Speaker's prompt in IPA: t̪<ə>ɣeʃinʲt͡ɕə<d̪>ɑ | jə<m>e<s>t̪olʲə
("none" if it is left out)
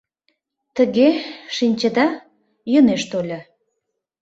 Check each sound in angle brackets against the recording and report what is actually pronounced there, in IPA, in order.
ə, d̪, n, ʃ

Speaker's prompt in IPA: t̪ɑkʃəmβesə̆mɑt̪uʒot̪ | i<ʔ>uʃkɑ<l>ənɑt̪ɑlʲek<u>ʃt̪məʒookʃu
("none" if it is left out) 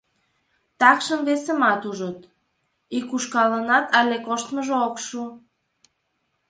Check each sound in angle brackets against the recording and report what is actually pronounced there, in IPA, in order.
k, l, o

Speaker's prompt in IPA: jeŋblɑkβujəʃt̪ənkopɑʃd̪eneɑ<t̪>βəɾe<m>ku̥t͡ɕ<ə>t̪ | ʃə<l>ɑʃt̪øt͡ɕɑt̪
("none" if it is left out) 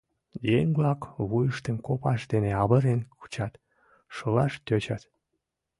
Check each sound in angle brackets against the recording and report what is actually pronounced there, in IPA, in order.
none, n, ɑ, l

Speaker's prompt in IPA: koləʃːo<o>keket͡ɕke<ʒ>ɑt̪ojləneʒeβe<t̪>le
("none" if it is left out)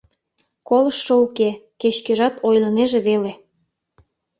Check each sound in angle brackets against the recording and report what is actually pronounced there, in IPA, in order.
u, ʒ, none

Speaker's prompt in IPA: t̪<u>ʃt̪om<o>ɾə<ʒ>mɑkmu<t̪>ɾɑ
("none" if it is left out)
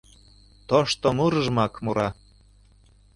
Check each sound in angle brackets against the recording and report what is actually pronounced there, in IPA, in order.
o, u, ʒ, none

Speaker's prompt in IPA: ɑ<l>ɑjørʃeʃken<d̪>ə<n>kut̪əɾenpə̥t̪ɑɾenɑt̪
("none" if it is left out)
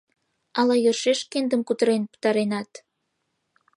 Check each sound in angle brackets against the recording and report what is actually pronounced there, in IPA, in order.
l, d̪, m

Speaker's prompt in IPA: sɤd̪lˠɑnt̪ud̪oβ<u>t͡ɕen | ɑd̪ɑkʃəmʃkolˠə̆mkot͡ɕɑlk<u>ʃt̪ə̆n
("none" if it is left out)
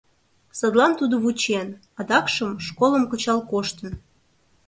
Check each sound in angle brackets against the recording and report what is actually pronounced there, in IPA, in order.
u, o

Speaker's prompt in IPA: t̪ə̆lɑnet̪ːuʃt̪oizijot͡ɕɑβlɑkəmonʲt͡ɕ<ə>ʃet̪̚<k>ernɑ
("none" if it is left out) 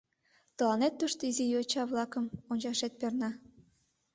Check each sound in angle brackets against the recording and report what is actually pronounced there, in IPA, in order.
ɑ, p

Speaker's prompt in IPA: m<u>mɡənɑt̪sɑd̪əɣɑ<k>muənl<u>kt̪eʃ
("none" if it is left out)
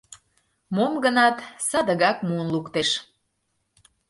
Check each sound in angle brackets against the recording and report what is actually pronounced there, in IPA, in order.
o, k, u

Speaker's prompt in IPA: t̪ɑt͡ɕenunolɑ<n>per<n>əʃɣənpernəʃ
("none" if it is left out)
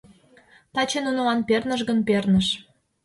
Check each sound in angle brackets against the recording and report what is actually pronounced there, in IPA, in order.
n, n

